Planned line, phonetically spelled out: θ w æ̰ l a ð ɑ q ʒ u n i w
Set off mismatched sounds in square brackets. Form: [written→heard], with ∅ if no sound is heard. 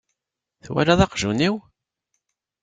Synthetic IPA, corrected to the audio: θ w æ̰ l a ð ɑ q ʒ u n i w